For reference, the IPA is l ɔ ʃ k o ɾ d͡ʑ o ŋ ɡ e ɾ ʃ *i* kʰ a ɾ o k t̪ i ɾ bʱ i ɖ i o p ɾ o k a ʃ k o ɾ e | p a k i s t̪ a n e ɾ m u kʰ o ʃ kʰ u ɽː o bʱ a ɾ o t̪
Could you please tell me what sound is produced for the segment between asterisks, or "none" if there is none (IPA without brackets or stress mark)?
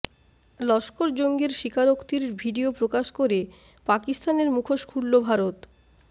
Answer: i